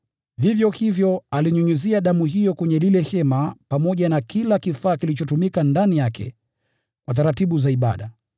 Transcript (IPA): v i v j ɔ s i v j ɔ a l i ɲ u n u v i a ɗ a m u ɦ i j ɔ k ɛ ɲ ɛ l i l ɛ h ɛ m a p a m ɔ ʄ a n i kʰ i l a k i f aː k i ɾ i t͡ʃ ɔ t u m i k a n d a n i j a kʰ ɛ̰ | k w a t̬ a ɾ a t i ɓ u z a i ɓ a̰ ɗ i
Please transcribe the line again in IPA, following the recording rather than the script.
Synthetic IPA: v i v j ɔ h i v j ɔ a l i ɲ u ɲ u z i a ɗ a m u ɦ i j ɔ k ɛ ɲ ɛ l i l ɛ h ɛ m a p a m ɔ ʄ a n a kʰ i l a k i f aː k i l i t͡ʃ ɔ t u m i k a n d a n i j a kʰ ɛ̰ | k w a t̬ a ɾ a t i ɓ u z a i ɓ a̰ ɗ a